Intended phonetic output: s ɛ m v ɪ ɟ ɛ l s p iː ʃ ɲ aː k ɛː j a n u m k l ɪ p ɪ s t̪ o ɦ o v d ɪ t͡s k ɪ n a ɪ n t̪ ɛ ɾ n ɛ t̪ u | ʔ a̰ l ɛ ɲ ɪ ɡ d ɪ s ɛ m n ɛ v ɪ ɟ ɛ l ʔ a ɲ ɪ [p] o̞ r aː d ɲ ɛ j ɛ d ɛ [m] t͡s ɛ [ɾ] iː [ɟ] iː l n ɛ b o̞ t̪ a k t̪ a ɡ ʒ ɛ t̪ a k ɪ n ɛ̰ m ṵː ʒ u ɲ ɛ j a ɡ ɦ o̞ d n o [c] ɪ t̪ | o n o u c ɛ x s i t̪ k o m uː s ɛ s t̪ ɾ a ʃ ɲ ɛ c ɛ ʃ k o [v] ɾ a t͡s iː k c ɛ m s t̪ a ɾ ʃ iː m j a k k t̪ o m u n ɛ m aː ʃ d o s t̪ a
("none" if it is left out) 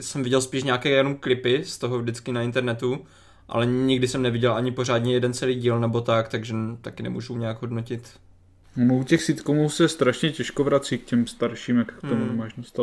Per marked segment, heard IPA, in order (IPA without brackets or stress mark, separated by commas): p, n, l, ɟ, c, v